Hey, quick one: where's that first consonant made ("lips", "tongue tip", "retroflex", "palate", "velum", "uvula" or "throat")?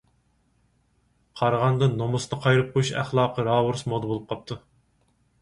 uvula